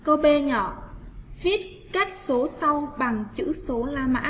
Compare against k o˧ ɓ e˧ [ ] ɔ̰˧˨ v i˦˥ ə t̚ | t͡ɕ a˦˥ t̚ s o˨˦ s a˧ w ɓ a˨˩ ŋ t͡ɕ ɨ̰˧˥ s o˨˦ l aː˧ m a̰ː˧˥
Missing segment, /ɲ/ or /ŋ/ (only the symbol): ɲ